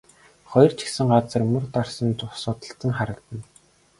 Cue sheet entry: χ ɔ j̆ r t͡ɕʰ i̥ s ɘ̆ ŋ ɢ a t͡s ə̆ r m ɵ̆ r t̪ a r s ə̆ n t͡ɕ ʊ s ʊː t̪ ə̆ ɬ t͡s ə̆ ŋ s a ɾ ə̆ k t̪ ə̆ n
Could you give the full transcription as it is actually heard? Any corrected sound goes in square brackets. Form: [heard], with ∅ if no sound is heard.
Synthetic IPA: χ ɔ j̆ r t͡ɕʰ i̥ s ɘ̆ ŋ ɢ a t͡s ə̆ r m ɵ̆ r t̪ a r s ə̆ n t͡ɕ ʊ s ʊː t̪ ə̆ ɬ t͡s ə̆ ŋ [χ] a ɾ ə̆ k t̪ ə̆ n

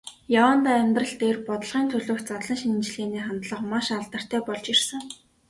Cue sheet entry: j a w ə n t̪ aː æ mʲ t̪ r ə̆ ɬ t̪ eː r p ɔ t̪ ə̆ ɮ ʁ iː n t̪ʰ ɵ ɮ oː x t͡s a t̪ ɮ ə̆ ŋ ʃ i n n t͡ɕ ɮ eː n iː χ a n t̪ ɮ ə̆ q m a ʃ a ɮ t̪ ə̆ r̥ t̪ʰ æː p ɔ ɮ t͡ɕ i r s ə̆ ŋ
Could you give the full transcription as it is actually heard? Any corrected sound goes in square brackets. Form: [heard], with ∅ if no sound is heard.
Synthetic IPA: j a w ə n t̪ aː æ mʲ t̪ r ə̆ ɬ t̪ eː r p ɔ t̪ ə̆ ɮ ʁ iː n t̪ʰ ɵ ɮ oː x t͡s a t̪ ɮ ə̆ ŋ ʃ i n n t͡ɕ ɮ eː n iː χ a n t̪ ɮ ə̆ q m a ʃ a ɮ t̪ ə̆ r̥ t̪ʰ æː p ɔ ɮ t͡ɕ i r s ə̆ ŋ

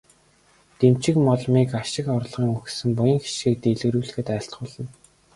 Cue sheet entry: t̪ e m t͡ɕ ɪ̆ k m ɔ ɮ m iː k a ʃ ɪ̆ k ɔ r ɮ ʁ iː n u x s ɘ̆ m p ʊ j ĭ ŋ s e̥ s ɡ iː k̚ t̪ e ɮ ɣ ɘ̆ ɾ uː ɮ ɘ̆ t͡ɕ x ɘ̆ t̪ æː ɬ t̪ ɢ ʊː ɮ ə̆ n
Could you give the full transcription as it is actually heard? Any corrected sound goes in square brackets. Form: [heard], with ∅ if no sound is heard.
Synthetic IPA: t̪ e m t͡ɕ ɪ̆ k m ɔ ɮ m iː k a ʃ ɪ̆ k ɔ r ɮ ʁ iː [ŋ] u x s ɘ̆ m p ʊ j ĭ ŋ [x] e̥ [ʃ] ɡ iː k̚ t̪ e ɮ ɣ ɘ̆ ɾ uː ɮ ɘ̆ [∅] x ɘ̆ t̪ æː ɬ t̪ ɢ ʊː ɮ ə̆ n

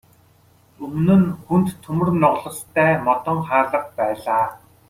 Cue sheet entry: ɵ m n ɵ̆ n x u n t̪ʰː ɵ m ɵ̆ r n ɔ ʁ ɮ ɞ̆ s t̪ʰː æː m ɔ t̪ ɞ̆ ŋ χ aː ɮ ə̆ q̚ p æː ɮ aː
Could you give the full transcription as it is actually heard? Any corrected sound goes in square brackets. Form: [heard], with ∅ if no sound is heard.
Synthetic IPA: ɵ m n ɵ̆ n x u n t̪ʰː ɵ m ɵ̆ r n ɔ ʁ ɮ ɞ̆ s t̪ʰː æː m ɔ t̪ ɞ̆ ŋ χ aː ɮ ə̆ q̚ p æː ɮ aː

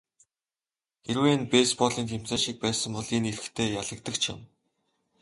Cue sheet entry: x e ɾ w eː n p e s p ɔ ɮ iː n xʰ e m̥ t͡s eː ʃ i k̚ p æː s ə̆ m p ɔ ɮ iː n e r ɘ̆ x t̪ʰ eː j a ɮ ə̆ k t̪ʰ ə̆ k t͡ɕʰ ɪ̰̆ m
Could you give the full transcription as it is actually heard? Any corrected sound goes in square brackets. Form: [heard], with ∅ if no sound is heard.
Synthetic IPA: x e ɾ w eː n p e s p ɔ ɮ iː n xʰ e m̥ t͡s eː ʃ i k̚ p æː s ə̆ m p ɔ ɮ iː n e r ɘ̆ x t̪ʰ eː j a ɮ ə̆ k [t̪] ə̆ k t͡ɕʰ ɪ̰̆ m

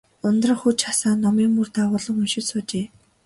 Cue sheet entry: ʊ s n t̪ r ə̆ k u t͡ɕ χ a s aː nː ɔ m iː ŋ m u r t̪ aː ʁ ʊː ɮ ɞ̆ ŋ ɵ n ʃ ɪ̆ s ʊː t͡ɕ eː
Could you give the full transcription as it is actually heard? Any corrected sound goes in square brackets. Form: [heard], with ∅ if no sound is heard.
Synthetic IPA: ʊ [∅] n t̪ r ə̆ [x] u t͡ɕ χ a s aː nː ɔ m iː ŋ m u r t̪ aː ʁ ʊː ɮ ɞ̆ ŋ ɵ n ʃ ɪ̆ s ʊː t͡ɕ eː

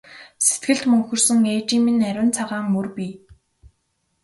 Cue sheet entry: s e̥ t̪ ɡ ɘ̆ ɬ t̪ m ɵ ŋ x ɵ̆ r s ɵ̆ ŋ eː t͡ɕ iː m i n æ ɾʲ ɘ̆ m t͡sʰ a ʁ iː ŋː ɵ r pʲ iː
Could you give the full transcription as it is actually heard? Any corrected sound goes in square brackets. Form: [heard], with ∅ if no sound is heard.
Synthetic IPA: s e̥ t̪ ɡ ɘ̆ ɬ t̪ m ɵ ŋ x ɵ̆ r s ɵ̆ ŋ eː t͡ɕ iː m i n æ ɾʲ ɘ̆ [n] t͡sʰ a ʁ [aː] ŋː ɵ r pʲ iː

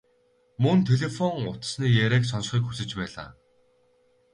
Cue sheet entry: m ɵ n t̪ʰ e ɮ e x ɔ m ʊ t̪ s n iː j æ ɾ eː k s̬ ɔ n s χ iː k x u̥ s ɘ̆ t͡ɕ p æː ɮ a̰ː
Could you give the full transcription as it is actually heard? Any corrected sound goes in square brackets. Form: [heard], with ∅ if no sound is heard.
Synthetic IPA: m ɵ n t̪ʰ e ɮ e [f] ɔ [ŋ] ʊ t̪ s n iː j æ ɾ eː k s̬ ɔ n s χ iː k x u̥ s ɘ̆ t͡ɕ p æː ɮ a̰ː

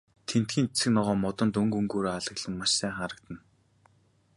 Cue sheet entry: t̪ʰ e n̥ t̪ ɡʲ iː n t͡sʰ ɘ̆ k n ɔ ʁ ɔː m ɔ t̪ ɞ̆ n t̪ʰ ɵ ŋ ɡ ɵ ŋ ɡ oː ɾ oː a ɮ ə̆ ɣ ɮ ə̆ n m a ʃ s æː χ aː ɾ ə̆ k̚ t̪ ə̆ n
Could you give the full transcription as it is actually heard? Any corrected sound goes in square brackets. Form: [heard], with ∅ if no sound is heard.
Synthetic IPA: t̪ʰ e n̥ t̪ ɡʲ iː n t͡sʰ ɘ̆ k n ɔ ʁ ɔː m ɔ t̪ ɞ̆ n [t̪] ɵ ŋ ɡ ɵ ŋ ɡ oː ɾ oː a ɮ ə̆ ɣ ɮ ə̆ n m a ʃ s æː χ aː ɾ ə̆ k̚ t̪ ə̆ n

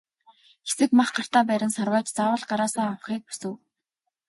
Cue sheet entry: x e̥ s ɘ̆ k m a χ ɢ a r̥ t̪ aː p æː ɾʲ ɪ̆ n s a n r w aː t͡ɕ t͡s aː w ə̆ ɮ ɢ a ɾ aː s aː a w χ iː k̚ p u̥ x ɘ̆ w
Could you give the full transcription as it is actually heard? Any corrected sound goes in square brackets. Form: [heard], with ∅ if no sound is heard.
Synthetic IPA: x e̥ s ɘ̆ k m a χ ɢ a r̥ t̪ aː p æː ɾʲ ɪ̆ n s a [∅] r w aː t͡ɕ t͡s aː w ə̆ ɮ ɢ a ɾ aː s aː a w χ iː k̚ p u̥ [s] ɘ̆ w

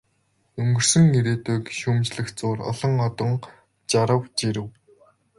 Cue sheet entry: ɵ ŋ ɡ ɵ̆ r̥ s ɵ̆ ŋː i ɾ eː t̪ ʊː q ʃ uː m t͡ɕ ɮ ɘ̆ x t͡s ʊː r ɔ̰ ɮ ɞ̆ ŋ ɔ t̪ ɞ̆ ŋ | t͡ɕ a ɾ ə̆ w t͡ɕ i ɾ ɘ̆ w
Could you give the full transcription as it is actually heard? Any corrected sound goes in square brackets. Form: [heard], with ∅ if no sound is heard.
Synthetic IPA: ɵ ŋ ɡ ɵ̆ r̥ s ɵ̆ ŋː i ɾ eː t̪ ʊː [k] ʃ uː m t͡ɕ ɮ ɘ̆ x t͡s ʊː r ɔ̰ ɮ ɞ̆ ŋ ɔ t̪ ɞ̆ ŋ | t͡ɕ a ɾ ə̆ w t͡ɕ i ɾ ɘ̆ w

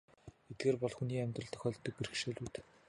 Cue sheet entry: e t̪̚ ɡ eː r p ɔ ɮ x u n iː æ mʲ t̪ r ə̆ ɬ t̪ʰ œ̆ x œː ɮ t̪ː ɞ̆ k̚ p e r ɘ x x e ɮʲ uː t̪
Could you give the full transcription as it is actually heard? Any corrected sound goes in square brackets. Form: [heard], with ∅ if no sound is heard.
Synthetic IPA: e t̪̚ ɡ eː r p ɔ ɮ x u n iː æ mʲ t̪ r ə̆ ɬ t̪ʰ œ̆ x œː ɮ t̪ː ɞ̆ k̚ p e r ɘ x [ʃ] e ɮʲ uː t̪

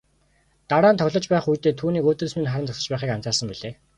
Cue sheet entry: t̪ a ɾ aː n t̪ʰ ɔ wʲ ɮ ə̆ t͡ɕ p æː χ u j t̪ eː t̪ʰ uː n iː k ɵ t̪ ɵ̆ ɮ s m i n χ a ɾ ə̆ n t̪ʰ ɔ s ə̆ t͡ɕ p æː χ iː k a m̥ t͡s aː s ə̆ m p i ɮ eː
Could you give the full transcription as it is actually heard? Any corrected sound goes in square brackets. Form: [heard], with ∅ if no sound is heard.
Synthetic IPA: t̪ a ɾ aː n t̪ʰ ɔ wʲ ɮ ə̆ t͡ɕ p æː χ u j t̪ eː t̪ʰ uː n iː k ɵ t̪ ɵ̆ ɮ s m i n χ a ɾ ə̆ n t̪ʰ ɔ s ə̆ t͡ɕ p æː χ iː k a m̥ t͡s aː s ə̆ m p i ɮ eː

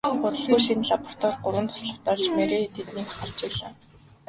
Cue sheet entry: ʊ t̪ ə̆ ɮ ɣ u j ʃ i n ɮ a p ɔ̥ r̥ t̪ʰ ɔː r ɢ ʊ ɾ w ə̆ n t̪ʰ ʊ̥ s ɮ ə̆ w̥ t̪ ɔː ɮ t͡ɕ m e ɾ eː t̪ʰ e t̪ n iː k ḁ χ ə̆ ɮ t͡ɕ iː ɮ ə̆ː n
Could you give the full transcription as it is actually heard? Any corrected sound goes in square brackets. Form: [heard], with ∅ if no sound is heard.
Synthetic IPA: ʊ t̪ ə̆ ɮ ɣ u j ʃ i n ɮ a p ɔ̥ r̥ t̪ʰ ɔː r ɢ ʊ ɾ w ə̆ n t̪ʰ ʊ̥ s ɮ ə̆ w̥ t̪ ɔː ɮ t͡ɕ m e ɾ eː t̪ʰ e t̪ n iː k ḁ χ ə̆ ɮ t͡ɕ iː ɮ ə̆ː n

